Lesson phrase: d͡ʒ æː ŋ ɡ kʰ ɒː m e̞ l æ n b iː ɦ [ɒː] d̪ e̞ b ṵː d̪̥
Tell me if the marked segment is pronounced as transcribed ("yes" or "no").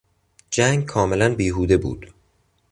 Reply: no